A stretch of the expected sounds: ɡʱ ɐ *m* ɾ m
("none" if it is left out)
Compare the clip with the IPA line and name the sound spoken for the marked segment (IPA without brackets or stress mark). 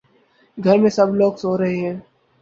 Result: none